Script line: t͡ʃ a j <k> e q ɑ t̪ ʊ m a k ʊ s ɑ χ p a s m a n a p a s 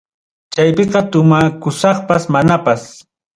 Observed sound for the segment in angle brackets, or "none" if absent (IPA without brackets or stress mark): p